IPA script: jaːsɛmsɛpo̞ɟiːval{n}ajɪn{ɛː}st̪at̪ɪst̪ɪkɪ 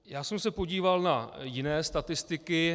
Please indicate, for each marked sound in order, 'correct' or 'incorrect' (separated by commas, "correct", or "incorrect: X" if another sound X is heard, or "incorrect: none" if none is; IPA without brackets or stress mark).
correct, correct